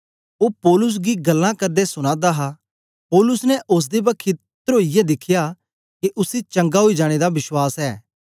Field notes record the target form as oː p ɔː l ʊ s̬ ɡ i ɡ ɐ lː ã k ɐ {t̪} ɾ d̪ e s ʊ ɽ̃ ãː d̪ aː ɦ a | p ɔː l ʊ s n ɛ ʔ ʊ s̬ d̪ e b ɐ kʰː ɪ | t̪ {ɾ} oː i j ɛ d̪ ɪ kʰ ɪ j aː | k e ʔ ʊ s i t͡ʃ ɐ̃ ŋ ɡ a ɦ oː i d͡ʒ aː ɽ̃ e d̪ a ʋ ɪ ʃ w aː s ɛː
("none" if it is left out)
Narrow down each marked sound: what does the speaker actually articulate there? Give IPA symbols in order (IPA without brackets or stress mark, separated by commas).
none, ɾ